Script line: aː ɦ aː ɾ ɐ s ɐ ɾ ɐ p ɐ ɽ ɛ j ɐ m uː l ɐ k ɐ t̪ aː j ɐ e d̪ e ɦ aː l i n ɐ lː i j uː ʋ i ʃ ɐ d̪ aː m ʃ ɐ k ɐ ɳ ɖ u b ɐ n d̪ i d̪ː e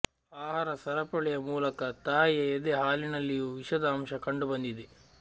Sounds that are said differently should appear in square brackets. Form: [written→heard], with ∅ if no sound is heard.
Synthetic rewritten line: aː ɦ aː ɾ ɐ s ɐ ɾ ɐ p ɐ [ɽ→ɭ] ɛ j ɐ m uː l ɐ k ɐ t̪ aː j ɐ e d̪ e ɦ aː l i n ɐ lː i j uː ʋ i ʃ ɐ d̪ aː m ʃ ɐ k ɐ ɳ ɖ u b ɐ n d̪ i [d̪ː→d̪] e

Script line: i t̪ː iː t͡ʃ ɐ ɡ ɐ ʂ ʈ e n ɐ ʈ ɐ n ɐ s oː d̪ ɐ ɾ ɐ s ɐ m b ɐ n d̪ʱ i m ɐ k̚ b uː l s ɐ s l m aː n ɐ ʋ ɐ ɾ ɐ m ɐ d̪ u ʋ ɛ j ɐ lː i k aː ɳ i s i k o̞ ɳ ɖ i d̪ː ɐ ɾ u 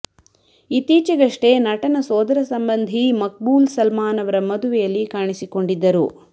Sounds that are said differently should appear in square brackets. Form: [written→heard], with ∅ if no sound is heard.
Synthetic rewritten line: i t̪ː iː t͡ʃ ɐ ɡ ɐ ʂ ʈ e n ɐ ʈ ɐ n ɐ s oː d̪ ɐ ɾ ɐ s ɐ m b ɐ n d̪ʱ i m ɐ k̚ b uː l s ɐ [s→∅] l m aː n ɐ ʋ ɐ ɾ ɐ m ɐ d̪ u ʋ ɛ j ɐ lː i k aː ɳ i s i k o̞ ɳ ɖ i d̪ː ɐ ɾ u

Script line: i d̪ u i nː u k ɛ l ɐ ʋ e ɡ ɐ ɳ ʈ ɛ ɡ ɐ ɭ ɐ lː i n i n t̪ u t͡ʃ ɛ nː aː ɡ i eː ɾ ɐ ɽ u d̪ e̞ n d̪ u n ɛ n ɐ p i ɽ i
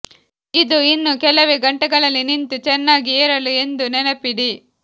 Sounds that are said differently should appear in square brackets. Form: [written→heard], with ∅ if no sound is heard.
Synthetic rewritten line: i d̪ u i nː u k ɛ l ɐ ʋ e ɡ ɐ ɳ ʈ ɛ ɡ ɐ ɭ ɐ lː i n i n t̪ u t͡ʃ ɛ nː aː ɡ i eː ɾ ɐ [ɽ→l] u [d̪→∅] e̞ n d̪ u n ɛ n ɐ p i ɽ i

